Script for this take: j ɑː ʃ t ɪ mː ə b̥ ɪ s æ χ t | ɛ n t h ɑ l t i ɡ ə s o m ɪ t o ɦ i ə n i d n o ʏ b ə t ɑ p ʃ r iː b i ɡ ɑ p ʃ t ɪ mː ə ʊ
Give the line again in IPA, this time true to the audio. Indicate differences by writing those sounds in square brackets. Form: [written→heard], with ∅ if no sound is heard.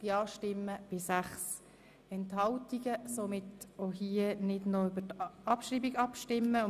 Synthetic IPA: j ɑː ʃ t ɪ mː ə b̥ ɪ s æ χ [t→s] | ɛ n t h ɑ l t i ɡ ə s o m ɪ t o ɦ i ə n [i→ɪ] d n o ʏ b ə t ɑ p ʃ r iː b i ɡ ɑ p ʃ t ɪ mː ə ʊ